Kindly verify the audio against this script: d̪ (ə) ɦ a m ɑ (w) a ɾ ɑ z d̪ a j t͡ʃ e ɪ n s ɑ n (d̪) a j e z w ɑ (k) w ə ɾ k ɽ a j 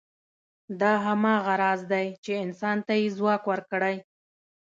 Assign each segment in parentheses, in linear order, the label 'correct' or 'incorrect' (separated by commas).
incorrect, incorrect, incorrect, correct